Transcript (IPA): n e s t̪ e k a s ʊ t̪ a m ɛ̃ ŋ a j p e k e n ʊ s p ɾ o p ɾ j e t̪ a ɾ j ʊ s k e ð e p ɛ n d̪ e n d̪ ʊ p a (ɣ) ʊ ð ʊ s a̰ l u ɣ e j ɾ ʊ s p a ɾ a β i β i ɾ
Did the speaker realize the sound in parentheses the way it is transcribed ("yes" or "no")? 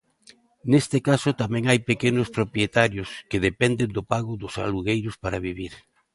yes